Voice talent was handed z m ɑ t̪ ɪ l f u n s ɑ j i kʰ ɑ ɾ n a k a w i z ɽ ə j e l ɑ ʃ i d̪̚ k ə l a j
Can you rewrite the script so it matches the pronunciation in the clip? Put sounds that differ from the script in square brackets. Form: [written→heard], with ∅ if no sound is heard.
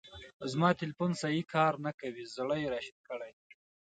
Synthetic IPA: z m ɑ t̪ ɪ l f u n s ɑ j i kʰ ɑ ɾ n a k a w i z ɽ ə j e [l→ɾ] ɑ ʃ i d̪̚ k ə [l→ɽ] a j